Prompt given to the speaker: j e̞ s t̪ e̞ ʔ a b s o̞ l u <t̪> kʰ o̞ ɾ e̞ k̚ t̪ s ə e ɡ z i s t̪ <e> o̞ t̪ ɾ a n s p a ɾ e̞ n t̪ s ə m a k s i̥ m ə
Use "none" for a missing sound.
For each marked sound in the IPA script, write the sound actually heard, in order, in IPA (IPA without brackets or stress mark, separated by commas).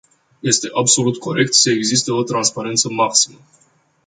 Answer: t̪, e